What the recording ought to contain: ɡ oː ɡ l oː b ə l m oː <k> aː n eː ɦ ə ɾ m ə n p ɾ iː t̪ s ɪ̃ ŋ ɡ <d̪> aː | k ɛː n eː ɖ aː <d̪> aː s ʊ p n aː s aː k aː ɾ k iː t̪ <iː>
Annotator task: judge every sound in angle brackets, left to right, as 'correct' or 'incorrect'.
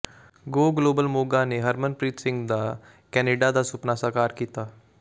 incorrect: ɡ, correct, correct, incorrect: aː

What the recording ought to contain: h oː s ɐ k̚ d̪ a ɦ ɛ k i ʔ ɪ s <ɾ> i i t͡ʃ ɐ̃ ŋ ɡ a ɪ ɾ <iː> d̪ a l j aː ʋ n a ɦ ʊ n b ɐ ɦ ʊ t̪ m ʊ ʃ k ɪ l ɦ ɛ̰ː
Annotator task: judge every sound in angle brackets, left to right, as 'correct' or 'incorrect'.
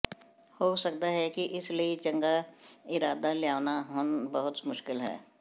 incorrect: l, incorrect: aː

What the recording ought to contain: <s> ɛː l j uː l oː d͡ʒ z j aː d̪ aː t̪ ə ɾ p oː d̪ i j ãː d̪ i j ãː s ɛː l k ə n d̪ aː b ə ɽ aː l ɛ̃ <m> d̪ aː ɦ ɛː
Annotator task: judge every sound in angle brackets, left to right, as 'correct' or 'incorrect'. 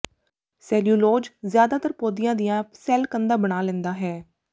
correct, incorrect: n

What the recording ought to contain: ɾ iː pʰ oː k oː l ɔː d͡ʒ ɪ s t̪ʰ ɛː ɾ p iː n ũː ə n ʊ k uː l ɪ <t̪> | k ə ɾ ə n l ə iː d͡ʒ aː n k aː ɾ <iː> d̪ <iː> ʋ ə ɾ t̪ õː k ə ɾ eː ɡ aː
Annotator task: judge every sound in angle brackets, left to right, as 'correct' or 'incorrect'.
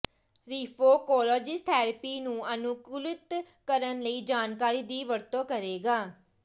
correct, correct, correct

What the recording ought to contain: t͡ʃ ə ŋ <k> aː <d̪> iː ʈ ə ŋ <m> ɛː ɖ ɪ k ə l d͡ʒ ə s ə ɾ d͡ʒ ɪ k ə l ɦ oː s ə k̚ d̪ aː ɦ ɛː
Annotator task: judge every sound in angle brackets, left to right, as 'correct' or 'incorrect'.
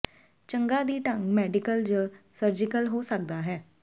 incorrect: ɡ, correct, correct

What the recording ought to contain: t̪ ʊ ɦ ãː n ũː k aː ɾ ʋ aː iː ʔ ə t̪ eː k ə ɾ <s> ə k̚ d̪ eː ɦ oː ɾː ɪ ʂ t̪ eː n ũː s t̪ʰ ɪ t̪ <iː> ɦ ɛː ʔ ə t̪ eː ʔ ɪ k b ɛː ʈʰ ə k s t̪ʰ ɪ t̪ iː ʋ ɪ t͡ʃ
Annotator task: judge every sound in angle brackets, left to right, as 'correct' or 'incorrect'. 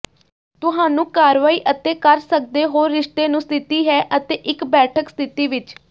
correct, correct

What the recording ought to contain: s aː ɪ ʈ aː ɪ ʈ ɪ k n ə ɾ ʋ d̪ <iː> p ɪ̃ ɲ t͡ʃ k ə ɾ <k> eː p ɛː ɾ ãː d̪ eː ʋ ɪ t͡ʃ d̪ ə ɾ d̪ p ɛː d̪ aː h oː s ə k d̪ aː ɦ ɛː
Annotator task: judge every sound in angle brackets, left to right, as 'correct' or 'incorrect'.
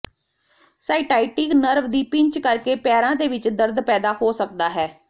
correct, correct

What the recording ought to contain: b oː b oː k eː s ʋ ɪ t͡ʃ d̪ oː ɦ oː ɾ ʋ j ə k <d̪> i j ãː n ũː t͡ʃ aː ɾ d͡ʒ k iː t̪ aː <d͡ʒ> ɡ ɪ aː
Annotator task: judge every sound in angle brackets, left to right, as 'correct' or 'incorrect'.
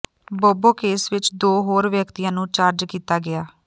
incorrect: t̪, incorrect: none

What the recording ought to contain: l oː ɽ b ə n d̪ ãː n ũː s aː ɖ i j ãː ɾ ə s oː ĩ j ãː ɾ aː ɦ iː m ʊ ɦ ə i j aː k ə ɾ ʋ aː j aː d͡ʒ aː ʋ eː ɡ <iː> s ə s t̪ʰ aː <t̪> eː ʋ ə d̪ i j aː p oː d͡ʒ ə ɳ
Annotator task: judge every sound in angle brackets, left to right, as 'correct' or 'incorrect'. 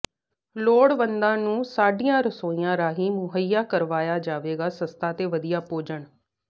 incorrect: aː, correct

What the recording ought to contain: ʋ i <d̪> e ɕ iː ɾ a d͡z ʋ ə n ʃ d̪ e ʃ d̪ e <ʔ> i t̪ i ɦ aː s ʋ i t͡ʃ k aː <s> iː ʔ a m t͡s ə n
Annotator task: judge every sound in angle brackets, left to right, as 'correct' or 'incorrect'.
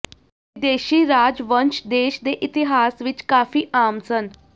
correct, correct, incorrect: f

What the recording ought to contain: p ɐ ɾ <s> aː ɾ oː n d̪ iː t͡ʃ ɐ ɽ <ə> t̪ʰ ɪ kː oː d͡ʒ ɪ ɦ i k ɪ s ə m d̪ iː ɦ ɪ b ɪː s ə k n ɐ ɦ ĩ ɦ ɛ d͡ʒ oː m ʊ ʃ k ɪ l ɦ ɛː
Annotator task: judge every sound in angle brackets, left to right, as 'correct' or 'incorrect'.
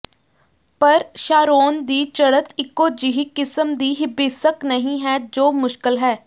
incorrect: ʃ, correct

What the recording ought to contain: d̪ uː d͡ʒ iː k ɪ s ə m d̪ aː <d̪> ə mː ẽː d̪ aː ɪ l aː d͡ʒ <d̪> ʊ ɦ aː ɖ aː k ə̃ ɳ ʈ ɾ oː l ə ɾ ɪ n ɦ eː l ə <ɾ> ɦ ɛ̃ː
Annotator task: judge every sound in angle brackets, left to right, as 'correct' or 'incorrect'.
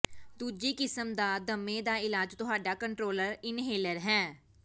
correct, incorrect: t̪, correct

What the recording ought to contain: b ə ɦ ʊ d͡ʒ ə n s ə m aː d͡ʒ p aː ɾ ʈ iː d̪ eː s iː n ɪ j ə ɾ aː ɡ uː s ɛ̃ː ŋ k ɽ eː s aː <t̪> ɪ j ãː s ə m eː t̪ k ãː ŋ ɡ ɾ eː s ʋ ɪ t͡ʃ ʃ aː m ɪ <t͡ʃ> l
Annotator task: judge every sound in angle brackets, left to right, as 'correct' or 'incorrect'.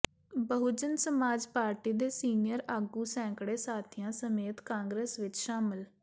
incorrect: t̪ʰ, incorrect: none

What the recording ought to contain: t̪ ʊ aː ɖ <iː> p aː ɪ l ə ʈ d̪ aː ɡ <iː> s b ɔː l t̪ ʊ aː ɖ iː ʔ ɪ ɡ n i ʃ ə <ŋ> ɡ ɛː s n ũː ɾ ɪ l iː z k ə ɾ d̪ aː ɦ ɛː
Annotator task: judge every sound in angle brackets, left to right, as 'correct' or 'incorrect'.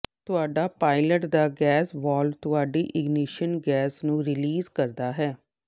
incorrect: aː, incorrect: ɛː, incorrect: n

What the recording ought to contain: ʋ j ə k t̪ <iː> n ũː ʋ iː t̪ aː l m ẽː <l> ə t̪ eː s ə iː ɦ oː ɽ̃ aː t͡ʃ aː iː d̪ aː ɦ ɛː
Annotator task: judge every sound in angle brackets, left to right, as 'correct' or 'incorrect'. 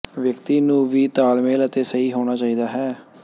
correct, correct

